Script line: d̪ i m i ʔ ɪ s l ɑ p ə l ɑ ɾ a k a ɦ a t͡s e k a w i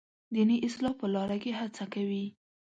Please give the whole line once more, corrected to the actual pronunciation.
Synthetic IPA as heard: d̪ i n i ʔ ɪ s l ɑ p ə l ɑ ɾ a k e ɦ a t͡s a k a w i